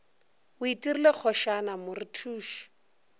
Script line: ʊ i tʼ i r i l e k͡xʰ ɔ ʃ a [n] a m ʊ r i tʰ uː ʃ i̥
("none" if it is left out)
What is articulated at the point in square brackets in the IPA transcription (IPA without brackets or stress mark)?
n